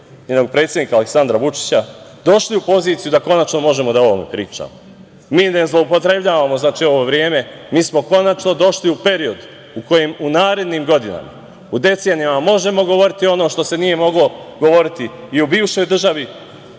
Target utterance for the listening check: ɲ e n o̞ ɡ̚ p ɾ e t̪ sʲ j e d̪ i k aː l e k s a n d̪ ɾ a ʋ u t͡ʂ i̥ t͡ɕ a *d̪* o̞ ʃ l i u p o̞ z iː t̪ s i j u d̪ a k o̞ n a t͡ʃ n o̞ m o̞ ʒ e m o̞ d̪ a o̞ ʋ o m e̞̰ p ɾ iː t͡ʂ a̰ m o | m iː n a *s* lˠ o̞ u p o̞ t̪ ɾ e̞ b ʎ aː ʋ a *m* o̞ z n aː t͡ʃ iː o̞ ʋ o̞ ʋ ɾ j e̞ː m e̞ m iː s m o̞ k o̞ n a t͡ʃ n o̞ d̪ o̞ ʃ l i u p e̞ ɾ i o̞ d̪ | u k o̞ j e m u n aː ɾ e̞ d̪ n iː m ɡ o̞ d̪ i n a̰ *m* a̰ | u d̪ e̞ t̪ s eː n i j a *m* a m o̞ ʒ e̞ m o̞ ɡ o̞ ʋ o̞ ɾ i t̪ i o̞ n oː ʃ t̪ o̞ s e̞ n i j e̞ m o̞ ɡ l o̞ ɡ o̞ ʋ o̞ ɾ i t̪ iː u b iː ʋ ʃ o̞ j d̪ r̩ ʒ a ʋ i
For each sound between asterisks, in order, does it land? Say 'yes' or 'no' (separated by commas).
yes, no, yes, yes, yes